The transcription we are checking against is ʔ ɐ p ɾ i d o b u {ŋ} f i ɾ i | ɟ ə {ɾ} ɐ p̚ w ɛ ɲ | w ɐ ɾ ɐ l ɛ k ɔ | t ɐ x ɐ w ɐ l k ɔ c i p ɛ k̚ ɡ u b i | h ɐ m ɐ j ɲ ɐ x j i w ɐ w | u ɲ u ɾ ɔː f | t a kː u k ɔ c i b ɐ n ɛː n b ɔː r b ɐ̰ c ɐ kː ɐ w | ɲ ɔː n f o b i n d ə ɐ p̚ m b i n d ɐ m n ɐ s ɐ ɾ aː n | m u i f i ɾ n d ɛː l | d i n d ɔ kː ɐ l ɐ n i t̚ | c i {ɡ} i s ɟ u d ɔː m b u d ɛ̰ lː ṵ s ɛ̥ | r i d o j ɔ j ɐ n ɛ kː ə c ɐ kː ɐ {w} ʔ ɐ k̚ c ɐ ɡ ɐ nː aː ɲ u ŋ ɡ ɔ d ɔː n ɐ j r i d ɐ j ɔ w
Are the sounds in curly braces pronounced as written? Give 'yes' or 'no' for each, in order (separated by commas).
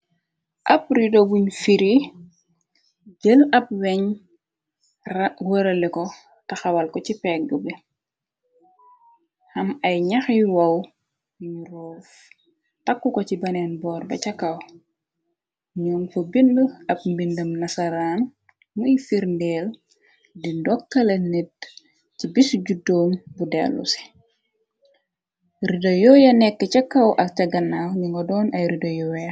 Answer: no, no, no, yes